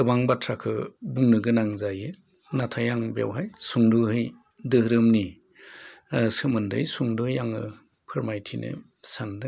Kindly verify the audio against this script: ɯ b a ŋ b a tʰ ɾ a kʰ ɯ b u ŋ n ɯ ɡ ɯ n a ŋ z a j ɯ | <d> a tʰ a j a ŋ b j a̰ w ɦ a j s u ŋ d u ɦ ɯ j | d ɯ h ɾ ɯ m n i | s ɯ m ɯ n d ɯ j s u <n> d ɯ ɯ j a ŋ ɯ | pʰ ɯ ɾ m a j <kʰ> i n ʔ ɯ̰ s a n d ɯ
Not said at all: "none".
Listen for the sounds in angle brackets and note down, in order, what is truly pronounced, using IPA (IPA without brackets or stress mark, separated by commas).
n, ŋ, tʰ